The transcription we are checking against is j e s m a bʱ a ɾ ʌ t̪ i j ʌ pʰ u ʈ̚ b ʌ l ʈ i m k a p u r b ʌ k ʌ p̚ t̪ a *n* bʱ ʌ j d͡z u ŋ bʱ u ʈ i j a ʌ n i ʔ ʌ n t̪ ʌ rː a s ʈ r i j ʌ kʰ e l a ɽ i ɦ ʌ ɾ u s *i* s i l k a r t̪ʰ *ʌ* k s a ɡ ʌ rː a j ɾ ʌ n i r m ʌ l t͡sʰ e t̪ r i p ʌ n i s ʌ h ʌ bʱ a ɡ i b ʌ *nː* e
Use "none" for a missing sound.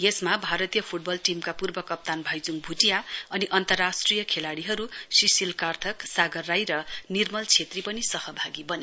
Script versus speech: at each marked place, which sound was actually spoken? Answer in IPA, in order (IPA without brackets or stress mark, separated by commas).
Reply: n, i, ʌ, n